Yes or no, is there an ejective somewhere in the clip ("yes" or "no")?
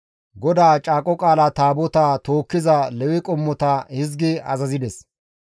yes